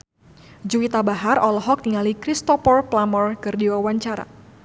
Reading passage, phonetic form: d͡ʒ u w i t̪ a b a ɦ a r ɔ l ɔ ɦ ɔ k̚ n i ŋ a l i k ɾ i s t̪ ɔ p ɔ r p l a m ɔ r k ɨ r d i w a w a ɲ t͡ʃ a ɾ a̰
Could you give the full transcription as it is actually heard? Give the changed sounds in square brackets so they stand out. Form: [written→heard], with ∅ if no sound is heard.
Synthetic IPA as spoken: d͡ʒ u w i t̪ a b a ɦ a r ɔ l ɔ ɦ ɔ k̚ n i ŋ a l i k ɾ i s t̪ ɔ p ɔ r p l a m ɔ r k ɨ r d i w a w a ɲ t͡ʃ a ɾ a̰